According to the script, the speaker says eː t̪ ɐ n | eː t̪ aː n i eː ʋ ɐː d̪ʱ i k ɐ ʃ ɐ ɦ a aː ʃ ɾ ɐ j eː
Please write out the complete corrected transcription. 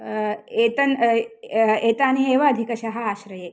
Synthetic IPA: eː t̪ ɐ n | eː t̪ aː n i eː ʋ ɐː d̪ʱ i k ɐ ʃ ɐ ɦ ɐ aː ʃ ɾ ɐ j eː